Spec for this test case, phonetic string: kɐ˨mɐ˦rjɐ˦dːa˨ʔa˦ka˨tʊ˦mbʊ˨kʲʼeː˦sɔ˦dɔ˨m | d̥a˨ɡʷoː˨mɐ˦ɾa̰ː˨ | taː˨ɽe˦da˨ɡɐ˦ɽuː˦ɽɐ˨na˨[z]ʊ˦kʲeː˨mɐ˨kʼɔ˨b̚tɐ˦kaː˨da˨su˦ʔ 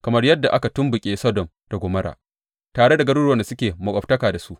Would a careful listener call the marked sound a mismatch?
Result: yes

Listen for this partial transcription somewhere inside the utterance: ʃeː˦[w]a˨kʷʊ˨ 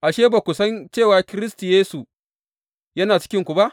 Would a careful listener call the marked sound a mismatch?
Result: yes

